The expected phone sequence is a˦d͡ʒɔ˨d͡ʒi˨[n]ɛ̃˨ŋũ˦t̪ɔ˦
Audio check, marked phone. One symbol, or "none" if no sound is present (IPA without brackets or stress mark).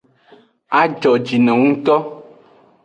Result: n